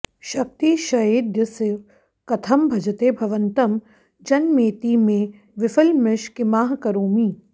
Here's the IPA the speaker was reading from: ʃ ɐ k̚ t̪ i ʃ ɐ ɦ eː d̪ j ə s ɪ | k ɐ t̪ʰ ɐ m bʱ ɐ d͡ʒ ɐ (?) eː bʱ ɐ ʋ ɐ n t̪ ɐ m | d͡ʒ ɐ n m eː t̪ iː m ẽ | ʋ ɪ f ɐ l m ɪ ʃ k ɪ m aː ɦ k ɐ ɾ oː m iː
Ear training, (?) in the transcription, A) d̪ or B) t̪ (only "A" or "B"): B